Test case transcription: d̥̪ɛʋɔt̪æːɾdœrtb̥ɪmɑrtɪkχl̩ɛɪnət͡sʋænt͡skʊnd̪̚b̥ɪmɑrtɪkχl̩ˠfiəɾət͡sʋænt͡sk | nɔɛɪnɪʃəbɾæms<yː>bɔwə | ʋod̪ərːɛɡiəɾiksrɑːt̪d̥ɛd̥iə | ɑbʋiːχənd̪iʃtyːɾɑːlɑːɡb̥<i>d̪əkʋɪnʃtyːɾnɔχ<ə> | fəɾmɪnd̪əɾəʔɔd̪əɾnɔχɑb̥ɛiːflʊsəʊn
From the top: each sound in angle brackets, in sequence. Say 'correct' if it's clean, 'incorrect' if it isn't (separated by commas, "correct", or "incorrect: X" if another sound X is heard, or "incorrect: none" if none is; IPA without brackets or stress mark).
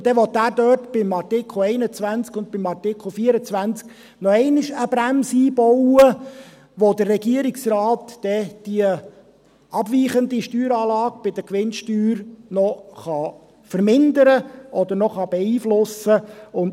incorrect: iː, incorrect: ɪ, incorrect: ɑ